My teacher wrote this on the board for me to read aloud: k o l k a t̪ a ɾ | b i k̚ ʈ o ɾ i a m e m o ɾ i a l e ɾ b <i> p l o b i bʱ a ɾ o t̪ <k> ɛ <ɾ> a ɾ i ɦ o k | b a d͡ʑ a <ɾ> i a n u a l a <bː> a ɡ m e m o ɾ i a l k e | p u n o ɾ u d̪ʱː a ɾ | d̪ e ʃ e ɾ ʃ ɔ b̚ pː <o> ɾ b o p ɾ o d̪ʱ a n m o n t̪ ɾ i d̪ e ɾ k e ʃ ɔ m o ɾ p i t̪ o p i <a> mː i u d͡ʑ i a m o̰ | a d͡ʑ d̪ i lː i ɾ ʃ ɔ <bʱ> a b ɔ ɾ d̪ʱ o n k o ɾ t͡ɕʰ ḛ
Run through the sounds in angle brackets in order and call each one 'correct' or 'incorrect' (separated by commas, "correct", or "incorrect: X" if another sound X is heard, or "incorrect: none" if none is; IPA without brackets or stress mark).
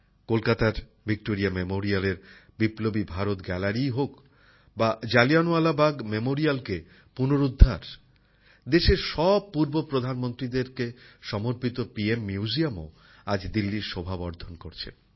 correct, incorrect: ɡ, incorrect: l, incorrect: l, incorrect: b, incorrect: u, incorrect: e, correct